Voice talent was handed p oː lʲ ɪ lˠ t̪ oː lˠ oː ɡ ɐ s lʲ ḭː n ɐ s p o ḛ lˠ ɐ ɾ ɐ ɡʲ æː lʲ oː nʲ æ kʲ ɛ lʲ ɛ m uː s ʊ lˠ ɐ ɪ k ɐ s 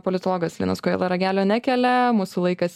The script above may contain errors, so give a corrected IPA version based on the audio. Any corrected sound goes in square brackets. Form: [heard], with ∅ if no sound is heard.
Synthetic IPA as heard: p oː lʲ ɪ [∅] t̪ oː lˠ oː ɡ ɐ s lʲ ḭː n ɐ s [k] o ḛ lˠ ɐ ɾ ɐ ɡʲ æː lʲ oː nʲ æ kʲ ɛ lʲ ɛ m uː s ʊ lˠ ɐ ɪ k ɐ s